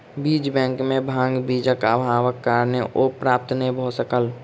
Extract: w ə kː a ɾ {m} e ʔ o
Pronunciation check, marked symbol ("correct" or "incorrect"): incorrect